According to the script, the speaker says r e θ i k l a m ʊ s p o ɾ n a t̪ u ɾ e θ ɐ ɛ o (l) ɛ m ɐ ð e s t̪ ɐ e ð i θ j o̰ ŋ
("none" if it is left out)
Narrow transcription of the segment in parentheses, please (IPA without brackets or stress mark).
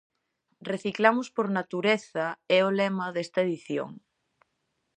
l